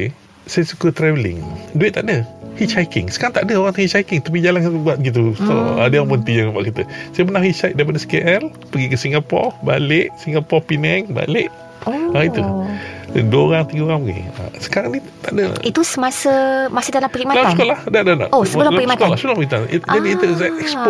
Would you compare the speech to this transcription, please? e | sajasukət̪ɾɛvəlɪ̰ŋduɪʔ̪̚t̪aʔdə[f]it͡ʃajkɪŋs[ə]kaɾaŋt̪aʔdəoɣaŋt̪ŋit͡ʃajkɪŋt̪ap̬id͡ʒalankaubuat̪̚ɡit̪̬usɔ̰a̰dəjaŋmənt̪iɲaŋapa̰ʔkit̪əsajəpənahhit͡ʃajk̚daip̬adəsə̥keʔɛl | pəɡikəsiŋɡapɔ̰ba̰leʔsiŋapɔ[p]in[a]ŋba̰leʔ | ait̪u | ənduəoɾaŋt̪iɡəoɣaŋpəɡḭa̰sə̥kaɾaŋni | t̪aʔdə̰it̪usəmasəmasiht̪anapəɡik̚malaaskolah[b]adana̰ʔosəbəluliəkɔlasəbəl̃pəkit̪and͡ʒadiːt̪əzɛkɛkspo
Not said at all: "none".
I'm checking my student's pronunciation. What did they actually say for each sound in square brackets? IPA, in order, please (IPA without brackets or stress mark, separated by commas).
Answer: h, ə, p, ɛ, d